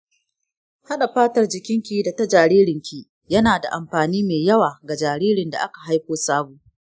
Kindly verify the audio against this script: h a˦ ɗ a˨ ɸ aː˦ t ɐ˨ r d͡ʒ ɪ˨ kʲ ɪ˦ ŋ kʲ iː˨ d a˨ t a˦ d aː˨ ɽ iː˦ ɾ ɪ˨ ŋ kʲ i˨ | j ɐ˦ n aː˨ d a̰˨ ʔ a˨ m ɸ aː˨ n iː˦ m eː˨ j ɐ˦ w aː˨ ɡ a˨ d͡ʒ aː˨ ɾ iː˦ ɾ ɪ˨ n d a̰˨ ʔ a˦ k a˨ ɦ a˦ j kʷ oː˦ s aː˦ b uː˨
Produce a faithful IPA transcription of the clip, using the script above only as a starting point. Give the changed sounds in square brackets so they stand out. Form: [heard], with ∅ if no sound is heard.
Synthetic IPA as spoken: h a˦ ɗ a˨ ɸ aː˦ t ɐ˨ r d͡ʒ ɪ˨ kʲ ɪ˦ ŋ kʲ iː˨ d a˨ t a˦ [d͡ʒ] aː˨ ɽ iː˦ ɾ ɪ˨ ŋ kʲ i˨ | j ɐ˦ n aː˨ d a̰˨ ʔ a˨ m ɸ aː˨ n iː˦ m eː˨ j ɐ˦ w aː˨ ɡ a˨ d͡ʒ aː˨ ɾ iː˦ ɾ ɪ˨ n d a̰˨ ʔ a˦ k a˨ ɦ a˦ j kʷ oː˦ s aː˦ b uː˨